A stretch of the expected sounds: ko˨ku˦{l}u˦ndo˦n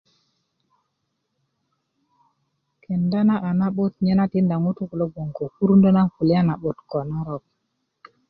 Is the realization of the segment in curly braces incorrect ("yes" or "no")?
yes